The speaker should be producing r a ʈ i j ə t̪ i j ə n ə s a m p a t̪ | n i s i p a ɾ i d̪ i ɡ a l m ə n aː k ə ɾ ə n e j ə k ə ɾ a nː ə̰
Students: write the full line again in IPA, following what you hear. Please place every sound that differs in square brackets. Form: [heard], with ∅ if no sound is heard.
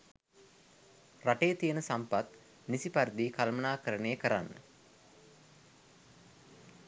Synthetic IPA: r a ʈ [e] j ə t̪ i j ə n ə s a m p a t̪ | n i s i p a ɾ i d̪ i [k] a l m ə n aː k ə ɾ ə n e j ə k ə ɾ a nː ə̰